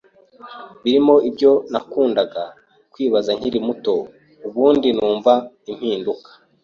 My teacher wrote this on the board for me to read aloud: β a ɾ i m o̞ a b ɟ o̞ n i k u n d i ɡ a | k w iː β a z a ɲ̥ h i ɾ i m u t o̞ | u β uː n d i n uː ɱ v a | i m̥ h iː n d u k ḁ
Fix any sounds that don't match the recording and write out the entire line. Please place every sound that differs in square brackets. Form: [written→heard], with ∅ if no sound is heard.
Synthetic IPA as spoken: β [a→i] ɾ i m o̞ [a→i] b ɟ o̞ n [i→a] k [u→uː] n d [i→a] ɡ a | k w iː β a z a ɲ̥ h i ɾ i m u t o̞ | u β uː n d i n uː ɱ v a | i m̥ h iː n d u k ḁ